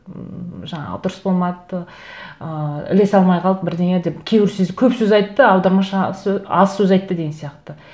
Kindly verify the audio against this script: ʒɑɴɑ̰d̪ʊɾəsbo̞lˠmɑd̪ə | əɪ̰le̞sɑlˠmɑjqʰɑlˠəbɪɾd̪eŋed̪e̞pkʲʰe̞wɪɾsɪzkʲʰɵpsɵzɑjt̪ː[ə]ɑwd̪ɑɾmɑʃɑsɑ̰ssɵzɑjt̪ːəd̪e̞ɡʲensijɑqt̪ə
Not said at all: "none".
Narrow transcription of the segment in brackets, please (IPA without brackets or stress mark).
ə